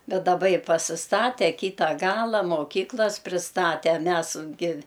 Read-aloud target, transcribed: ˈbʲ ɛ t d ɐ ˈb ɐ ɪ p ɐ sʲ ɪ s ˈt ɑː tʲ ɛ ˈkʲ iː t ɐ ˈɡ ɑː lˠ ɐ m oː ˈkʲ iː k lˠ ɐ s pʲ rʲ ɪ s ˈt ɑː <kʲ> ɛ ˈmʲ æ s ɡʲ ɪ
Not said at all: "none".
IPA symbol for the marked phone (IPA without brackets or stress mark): tʲ